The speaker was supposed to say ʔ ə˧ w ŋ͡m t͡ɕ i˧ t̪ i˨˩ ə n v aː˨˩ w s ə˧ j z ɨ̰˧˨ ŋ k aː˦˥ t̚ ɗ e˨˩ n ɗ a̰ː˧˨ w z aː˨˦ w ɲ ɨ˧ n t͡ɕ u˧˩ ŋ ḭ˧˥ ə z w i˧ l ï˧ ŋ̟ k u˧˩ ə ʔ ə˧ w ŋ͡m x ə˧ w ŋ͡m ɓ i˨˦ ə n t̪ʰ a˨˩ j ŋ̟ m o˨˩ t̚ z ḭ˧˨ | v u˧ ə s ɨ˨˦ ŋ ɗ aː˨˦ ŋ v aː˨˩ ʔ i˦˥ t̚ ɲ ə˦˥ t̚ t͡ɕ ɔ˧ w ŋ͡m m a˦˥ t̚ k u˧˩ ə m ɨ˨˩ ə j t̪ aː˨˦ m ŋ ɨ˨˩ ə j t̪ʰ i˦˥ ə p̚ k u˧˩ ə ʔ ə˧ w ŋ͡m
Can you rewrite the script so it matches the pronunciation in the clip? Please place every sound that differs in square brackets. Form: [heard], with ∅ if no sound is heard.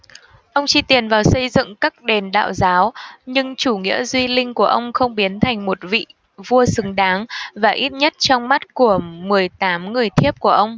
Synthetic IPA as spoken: ʔ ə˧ w ŋ͡m t͡ɕ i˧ t̪ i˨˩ ə n v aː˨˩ w s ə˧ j z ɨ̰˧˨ ŋ k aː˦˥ [k̚] ɗ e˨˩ n ɗ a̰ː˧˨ w z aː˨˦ w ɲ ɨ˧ [ŋ] t͡ɕ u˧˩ ŋ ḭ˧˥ ə z w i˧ l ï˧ ŋ̟ k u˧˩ ə ʔ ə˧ w ŋ͡m x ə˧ w ŋ͡m ɓ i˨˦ ə n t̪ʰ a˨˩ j ŋ̟ m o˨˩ t̚ [v] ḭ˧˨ | v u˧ ə s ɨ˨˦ ŋ ɗ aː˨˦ ŋ v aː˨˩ ʔ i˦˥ t̚ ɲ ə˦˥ t̚ t͡ɕ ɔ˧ w ŋ͡m m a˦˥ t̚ k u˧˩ ə m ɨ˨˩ ə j t̪ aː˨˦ m ŋ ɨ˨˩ ə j t̪ʰ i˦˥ ə p̚ k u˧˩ ə ʔ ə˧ w ŋ͡m